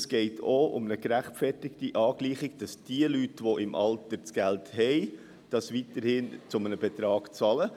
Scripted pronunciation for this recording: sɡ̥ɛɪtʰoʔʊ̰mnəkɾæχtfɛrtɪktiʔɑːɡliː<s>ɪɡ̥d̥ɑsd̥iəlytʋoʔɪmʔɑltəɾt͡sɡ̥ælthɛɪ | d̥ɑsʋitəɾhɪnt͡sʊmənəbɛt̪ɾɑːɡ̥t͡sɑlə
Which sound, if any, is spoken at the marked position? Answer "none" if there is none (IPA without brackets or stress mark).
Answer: χ